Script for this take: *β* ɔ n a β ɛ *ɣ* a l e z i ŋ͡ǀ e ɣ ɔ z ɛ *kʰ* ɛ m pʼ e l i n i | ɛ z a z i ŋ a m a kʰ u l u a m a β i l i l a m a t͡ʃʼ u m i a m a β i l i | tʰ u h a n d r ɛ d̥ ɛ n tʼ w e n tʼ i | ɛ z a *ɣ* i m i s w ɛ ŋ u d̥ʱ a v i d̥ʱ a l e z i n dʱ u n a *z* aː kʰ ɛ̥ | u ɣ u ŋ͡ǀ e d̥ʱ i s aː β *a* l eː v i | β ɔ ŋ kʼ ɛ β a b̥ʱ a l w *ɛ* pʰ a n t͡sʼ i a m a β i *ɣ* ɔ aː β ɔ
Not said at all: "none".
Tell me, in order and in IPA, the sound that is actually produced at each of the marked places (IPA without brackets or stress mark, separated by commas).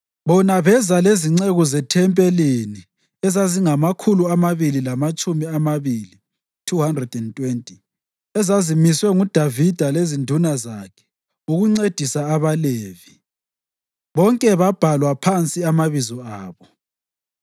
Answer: β, z, tʰ, z, z, a, a, z